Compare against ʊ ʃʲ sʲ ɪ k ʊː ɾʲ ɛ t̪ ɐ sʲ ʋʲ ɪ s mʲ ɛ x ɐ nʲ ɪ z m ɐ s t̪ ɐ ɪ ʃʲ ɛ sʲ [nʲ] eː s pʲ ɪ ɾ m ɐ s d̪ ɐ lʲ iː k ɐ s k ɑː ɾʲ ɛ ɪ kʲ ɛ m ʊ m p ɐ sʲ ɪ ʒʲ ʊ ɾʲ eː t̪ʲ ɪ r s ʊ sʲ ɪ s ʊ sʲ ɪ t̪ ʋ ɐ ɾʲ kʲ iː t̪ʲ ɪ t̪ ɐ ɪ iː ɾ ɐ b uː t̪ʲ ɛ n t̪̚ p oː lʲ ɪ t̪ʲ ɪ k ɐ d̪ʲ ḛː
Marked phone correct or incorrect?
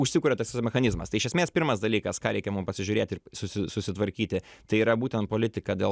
incorrect